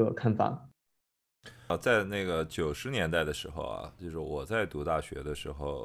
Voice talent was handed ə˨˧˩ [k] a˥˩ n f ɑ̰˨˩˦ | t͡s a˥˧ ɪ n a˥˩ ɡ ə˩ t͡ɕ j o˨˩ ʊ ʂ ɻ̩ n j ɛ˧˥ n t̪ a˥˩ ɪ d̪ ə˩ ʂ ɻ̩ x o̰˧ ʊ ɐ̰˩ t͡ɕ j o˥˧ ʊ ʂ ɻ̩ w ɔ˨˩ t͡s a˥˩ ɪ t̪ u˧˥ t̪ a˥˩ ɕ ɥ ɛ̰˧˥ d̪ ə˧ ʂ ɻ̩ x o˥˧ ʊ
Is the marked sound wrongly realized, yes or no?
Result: yes